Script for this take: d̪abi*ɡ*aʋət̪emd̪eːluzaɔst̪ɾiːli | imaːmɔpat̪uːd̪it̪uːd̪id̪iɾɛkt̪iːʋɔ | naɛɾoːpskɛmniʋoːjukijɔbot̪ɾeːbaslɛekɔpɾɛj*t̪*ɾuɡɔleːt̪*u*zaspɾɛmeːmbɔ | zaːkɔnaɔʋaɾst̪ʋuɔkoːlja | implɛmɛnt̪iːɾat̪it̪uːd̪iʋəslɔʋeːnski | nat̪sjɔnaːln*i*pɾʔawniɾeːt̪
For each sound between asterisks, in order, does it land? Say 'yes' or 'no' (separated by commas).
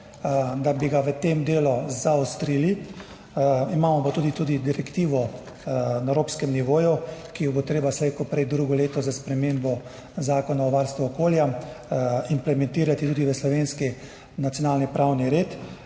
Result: yes, no, no, yes